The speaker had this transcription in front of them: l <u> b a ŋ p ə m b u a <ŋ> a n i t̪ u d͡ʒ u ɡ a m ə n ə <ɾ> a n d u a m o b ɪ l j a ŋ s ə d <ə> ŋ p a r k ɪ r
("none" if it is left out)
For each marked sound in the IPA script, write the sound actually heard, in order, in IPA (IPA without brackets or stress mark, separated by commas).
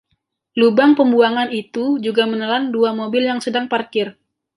u, ŋ, l, a